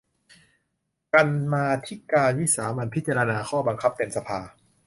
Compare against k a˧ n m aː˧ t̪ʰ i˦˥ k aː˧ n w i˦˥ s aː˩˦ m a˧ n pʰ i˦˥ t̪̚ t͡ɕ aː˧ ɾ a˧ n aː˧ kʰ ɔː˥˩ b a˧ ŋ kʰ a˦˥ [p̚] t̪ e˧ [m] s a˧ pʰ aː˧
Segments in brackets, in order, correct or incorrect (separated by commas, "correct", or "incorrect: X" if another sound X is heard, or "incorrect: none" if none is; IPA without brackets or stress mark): correct, correct